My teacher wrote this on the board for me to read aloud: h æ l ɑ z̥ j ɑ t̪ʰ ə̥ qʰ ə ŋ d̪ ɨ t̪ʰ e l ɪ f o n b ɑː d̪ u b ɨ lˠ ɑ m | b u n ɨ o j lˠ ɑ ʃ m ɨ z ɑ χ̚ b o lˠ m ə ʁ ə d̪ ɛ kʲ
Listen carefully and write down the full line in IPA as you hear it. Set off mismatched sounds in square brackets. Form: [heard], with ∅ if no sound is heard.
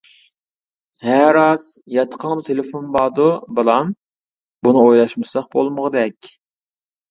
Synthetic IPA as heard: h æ [ɾ] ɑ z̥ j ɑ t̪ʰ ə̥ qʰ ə ŋ d̪ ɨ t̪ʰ e l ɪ f o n b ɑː d̪ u b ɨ lˠ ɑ m | b u n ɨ o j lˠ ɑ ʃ m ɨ [s] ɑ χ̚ b o lˠ m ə ʁ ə d̪ ɛ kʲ